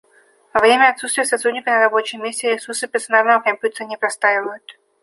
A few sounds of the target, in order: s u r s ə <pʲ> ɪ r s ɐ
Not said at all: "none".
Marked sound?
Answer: pʲ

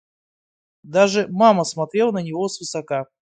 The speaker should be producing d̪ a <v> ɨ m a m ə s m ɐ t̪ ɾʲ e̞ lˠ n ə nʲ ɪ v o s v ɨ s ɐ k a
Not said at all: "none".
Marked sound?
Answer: ʐ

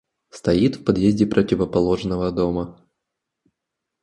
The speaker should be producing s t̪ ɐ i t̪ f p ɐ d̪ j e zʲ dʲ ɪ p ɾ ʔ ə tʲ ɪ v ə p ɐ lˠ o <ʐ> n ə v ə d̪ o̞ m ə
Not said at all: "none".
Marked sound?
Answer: ʐ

